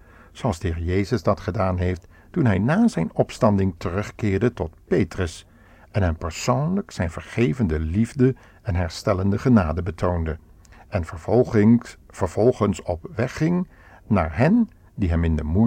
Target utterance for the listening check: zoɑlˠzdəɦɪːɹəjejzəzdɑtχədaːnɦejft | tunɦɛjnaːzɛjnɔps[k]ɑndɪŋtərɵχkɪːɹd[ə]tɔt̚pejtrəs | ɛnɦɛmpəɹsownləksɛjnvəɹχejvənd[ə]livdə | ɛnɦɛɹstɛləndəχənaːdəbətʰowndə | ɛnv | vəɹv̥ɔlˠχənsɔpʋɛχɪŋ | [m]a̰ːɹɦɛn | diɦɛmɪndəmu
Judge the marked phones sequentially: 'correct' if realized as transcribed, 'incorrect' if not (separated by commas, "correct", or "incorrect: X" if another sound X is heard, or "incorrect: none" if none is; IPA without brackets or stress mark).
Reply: incorrect: t, correct, correct, incorrect: n